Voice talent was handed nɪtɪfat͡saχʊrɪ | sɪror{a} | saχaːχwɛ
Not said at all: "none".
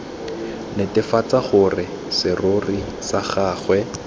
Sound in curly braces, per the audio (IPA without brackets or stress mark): i